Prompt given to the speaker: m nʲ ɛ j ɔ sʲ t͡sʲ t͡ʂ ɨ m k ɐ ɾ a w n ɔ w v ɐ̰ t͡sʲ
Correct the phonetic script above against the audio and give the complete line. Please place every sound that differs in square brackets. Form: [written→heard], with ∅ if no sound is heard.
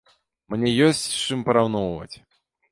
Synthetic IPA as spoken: m nʲ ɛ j ɔ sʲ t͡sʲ t͡ʂ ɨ m [k→p] ɐ ɾ a w n ɔ w v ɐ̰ t͡sʲ

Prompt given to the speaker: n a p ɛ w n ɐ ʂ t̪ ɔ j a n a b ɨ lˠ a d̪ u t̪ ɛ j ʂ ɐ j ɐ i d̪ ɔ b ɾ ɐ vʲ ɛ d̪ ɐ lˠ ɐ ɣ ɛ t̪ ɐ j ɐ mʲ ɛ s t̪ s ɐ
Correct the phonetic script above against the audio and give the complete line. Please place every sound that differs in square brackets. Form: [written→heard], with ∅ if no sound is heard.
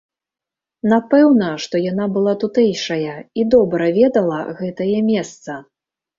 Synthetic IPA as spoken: n a p ɛ w n ɐ ʂ t̪ ɔ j a n a b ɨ lˠ a [d̪→t̪] u t̪ ɛ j ʂ ɐ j ɐ i d̪ ɔ b ɾ ɐ vʲ ɛ d̪ ɐ lˠ ɐ ɣ ɛ t̪ ɐ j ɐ mʲ ɛ s t̪ s ɐ

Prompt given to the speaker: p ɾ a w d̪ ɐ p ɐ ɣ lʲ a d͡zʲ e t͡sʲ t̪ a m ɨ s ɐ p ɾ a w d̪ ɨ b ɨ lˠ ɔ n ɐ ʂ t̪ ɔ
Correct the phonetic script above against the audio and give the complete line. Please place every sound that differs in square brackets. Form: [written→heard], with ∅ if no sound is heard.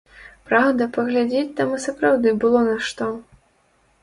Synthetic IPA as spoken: p ɾ a w d̪ ɐ p ɐ ɣ lʲ a d͡zʲ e t͡sʲ t̪ a m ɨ s ɐ p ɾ a w d̪ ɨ b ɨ lˠ ɔ n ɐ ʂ t̪ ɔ

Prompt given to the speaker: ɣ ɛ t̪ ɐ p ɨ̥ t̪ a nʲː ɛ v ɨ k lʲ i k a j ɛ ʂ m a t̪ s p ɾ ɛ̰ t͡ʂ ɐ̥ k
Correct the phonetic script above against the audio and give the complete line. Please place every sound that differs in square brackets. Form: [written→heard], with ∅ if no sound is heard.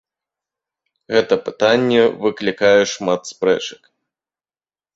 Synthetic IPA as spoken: ɣ ɛ t̪ ɐ p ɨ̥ t̪ a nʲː ɛ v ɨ k lʲ i k a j ɛ ʂ m a t̪ s p ɾ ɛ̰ t͡ʂ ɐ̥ k

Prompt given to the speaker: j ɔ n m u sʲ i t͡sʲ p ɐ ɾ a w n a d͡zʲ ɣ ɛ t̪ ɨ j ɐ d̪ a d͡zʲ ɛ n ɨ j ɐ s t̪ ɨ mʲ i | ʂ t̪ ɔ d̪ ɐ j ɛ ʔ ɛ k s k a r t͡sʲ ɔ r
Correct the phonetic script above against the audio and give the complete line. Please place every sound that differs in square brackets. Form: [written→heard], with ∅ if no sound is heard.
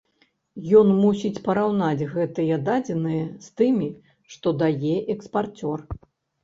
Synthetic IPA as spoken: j ɔ n m u sʲ i t͡sʲ p ɐ ɾ a w n a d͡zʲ ɣ ɛ t̪ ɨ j ɐ d̪ a d͡zʲ ɛ n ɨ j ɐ s t̪ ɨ mʲ i | ʂ t̪ ɔ d̪ [ɐ→a] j ɛ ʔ ɛ k s [k→p] a r t͡sʲ ɔ r

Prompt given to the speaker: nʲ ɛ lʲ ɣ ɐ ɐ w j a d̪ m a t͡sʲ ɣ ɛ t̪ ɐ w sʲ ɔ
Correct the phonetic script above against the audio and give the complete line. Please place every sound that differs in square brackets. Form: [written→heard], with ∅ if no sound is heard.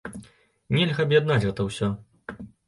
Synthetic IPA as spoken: nʲ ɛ lʲ ɣ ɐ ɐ [w→b] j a d̪ [m→n] a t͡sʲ ɣ ɛ t̪ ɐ w sʲ ɔ

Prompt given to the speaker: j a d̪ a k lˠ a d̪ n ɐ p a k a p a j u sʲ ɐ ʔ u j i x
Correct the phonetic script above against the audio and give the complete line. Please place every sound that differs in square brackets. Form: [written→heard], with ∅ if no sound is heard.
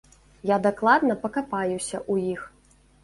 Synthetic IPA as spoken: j a d̪ a k lˠ a d̪ n ɐ p [a→ɐ] k a p a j u sʲ ɐ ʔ u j i x

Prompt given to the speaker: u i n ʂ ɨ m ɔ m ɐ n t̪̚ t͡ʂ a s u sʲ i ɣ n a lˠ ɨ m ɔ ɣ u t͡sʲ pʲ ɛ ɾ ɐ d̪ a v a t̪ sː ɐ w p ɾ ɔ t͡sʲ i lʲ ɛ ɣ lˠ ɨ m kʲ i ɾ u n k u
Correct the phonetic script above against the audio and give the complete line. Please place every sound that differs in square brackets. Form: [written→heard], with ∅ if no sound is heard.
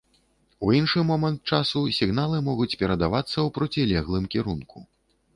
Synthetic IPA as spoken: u i n ʂ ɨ m ɔ m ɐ n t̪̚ t͡ʂ a s u sʲ i ɣ n a lˠ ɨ m ɔ ɣ u t͡sʲ pʲ ɛ ɾ ɐ d̪ a v a t̪ sː ɐ w p ɾ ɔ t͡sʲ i lʲ ɛ ɣ lˠ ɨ m kʲ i ɾ u n k u

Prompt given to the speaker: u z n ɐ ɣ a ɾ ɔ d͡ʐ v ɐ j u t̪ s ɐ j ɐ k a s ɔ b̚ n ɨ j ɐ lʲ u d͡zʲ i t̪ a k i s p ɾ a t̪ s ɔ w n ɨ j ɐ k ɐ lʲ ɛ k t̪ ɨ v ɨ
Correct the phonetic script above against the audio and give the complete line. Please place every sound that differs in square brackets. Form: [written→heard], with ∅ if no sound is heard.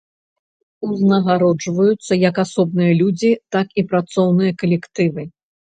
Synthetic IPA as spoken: u z n ɐ ɣ a ɾ ɔ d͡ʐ v ɐ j u t̪ [s→sː] ɐ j ɐ k a s ɔ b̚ n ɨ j ɐ lʲ u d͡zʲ i t̪ a k i [s→∅] p ɾ a t̪ s ɔ w n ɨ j ɐ k ɐ lʲ ɛ k t̪ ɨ v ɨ

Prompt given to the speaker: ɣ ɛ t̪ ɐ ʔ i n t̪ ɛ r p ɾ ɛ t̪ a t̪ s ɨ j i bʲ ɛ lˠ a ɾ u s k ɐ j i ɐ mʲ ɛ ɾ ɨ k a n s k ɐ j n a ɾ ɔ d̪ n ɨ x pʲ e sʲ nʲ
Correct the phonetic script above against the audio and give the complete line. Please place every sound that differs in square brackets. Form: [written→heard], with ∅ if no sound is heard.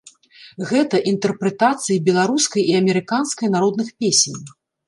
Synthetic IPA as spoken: ɣ ɛ t̪ ɐ ʔ i n t̪ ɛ r p ɾ ɛ t̪ a t̪ s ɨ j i bʲ ɛ lˠ a ɾ u s k ɐ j i ɐ mʲ ɛ ɾ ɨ k a n s k ɐ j n a ɾ ɔ d̪ n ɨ x pʲ e sʲ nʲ

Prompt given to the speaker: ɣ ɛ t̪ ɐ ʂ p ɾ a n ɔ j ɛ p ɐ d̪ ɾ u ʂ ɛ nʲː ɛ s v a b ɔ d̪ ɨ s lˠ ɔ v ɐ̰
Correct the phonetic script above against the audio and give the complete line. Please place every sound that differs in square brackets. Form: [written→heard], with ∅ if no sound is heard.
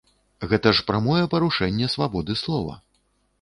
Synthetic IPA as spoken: ɣ ɛ t̪ ɐ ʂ p ɾ a [n→m] ɔ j ɛ p ɐ [d̪→∅] ɾ u ʂ ɛ nʲː ɛ s v a b ɔ d̪ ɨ s lˠ ɔ v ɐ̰

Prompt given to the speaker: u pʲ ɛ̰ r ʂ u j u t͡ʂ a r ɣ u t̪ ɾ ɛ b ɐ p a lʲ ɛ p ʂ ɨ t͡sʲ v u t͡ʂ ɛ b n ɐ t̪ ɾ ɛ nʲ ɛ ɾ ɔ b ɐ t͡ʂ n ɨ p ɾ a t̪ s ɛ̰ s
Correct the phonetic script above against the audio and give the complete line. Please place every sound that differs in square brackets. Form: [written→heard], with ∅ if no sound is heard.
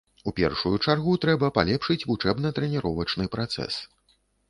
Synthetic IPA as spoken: u pʲ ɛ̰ r ʂ u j u t͡ʂ a r ɣ u t̪ ɾ ɛ b ɐ p a lʲ ɛ p ʂ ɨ t͡sʲ v u t͡ʂ ɛ b n ɐ t̪ ɾ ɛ nʲ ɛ ɾ ɔ [b→v] ɐ t͡ʂ n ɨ p ɾ a t̪ s ɛ̰ s

